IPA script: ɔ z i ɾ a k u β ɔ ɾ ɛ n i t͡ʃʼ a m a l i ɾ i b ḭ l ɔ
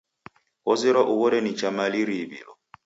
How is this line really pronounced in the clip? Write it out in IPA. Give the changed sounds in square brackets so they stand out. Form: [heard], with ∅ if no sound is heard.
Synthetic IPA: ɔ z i ɾ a [ʔ] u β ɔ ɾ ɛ n i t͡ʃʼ a m a l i ɾ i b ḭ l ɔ